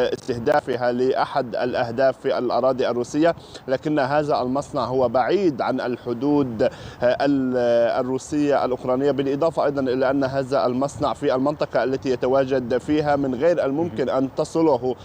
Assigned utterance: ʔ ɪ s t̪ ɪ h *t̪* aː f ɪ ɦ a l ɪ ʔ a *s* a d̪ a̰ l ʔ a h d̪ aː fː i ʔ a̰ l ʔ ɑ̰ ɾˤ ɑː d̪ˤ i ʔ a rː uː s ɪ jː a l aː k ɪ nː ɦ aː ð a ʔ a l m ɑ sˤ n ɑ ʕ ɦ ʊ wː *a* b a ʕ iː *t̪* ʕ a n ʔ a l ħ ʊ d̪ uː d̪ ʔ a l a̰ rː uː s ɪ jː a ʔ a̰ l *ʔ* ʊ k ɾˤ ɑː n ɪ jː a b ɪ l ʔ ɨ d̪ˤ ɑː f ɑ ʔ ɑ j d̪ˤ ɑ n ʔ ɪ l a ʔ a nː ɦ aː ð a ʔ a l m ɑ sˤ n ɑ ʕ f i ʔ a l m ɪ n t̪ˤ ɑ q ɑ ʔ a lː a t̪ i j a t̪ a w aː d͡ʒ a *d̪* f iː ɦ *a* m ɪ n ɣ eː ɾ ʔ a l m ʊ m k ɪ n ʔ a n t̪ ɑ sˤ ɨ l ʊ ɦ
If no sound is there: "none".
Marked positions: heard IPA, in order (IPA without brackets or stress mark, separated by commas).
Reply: d̪, ħ, a, d̪, ʔ, d̪, a